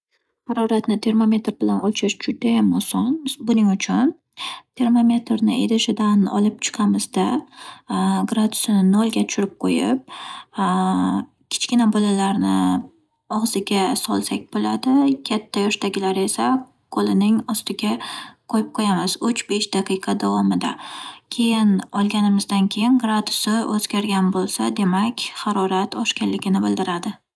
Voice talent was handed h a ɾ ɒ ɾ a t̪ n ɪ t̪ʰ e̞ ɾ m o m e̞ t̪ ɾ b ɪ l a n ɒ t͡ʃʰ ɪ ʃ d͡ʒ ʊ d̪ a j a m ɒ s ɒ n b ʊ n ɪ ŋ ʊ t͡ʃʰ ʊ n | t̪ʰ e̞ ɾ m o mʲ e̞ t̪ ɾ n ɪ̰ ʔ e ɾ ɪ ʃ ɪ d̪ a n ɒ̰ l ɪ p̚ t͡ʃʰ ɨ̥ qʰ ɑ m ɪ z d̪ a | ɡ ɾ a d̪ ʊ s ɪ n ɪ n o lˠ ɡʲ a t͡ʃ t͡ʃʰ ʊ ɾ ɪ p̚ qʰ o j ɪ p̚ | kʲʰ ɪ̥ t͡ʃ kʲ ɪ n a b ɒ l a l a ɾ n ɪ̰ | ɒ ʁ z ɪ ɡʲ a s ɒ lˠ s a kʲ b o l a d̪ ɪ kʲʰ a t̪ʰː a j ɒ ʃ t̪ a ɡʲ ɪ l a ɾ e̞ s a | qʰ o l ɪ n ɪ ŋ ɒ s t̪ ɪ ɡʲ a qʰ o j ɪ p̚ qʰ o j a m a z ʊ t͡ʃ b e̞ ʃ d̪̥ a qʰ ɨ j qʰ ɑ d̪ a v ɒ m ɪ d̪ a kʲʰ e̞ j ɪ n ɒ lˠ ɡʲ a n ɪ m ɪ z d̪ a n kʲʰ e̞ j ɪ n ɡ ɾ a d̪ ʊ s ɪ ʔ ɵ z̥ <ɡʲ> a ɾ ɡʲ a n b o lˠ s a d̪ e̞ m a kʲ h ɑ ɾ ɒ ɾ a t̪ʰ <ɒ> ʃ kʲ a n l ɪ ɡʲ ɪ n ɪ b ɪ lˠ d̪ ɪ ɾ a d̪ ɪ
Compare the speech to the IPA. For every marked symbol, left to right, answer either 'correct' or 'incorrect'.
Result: correct, correct

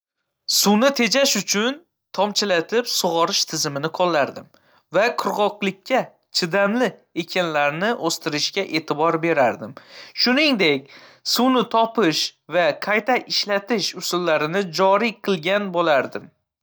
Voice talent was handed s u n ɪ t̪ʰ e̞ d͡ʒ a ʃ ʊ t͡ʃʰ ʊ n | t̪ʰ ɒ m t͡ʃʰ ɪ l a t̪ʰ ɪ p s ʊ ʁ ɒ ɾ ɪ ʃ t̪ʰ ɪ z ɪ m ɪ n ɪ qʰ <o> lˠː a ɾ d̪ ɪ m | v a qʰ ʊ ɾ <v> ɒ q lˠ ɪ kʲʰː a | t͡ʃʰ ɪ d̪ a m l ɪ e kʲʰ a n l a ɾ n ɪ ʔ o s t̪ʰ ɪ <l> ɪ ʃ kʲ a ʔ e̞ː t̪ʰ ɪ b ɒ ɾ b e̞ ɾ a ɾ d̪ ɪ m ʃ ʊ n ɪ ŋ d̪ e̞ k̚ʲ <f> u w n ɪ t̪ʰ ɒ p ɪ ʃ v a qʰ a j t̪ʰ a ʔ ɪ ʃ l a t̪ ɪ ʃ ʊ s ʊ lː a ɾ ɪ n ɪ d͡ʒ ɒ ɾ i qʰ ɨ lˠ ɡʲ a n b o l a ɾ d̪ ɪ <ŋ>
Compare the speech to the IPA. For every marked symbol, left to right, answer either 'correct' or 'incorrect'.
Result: incorrect, incorrect, incorrect, incorrect, incorrect

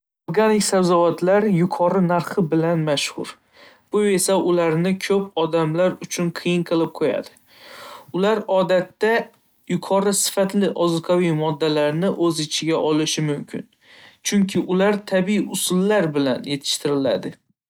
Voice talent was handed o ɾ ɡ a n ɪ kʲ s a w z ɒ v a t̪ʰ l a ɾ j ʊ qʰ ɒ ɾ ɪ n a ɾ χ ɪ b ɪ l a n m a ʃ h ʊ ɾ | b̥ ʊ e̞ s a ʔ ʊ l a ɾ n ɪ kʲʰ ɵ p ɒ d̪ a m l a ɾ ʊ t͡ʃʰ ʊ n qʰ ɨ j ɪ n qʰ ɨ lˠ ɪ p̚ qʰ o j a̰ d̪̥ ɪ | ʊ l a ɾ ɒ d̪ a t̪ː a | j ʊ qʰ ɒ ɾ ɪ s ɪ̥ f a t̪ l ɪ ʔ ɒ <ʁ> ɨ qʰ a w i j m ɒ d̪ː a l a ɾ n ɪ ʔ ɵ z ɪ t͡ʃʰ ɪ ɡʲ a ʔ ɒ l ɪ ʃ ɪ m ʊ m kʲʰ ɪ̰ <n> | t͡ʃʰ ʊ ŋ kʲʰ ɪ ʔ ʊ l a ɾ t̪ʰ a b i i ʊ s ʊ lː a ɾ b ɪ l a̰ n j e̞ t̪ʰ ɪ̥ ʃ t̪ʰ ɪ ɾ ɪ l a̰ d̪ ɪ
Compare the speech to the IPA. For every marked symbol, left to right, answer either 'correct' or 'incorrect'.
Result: incorrect, correct

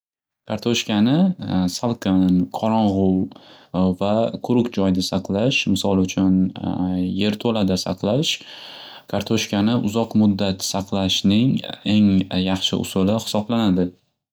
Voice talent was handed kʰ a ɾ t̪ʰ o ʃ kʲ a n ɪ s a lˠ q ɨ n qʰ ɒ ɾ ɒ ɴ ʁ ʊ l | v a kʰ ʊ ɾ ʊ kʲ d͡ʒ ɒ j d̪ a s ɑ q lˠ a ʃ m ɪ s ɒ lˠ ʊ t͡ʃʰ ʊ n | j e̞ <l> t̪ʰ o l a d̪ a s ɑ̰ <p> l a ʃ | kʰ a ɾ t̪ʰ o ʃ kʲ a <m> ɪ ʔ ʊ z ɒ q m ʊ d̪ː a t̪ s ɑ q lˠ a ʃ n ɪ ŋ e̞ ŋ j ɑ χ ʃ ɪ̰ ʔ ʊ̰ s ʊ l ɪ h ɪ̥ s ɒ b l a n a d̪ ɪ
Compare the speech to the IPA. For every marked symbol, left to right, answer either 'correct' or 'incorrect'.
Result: incorrect, incorrect, incorrect

